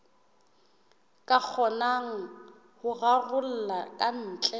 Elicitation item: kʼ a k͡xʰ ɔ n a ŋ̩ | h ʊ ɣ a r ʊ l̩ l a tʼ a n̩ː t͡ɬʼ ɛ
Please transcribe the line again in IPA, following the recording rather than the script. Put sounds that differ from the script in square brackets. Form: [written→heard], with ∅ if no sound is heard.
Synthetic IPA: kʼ a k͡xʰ ɔ n a ŋ̩ | h ʊ ɣ a r ʊ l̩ l a [tʼ→kʼ] a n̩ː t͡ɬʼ ɛ